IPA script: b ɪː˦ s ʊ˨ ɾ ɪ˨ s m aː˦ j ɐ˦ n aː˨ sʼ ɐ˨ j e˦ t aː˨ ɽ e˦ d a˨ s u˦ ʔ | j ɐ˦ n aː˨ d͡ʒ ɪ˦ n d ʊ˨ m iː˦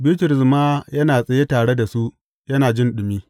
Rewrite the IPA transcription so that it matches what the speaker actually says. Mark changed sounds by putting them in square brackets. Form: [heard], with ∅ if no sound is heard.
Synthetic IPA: b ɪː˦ [t] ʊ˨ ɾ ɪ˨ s m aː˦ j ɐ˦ n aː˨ sʼ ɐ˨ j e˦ t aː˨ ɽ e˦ d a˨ s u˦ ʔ | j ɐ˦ n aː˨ d͡ʒ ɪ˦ n [ɗ] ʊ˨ m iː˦